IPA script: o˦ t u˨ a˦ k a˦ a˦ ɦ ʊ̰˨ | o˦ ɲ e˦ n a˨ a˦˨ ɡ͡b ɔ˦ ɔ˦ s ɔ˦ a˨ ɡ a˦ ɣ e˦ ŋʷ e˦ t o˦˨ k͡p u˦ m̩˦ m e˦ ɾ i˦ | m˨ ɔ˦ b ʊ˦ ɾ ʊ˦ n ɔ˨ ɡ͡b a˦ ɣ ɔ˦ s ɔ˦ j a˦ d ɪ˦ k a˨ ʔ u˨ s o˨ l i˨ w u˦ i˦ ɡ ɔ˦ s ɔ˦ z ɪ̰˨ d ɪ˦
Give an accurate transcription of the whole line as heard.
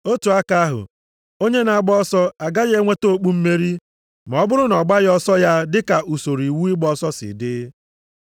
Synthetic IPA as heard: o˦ t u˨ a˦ k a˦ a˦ ɦ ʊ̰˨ | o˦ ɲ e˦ n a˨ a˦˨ ɡ͡b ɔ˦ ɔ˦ s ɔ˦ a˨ ɡ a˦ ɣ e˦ ŋʷ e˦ t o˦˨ k͡p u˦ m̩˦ m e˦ ɾ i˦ | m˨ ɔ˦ b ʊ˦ ɾ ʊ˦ n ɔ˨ ɡ͡b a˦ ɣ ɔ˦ s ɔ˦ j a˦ d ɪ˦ k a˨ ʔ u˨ s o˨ ɾ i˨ w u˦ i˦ ɡ͡b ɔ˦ s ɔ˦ s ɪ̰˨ d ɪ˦